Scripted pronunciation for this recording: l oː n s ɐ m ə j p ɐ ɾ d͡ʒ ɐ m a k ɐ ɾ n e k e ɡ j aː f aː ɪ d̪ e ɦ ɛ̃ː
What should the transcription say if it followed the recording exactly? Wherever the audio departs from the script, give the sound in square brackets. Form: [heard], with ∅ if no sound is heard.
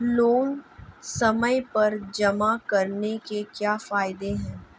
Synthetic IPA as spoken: l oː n s ɐ m ə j p ɐ ɾ d͡ʒ ɐ m a k ɐ ɾ n e k e [k] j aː f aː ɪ d̪ e ɦ ɛ̃ː